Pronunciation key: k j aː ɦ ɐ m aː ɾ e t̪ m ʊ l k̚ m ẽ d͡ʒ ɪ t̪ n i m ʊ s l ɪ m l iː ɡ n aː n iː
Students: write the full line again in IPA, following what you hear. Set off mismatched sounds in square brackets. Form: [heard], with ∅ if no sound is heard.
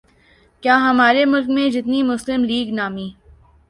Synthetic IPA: k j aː ɦ ɐ m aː ɾ e [∅] m ʊ l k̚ m ẽ d͡ʒ ɪ t̪ n i m ʊ s l ɪ m l iː ɡ n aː [m] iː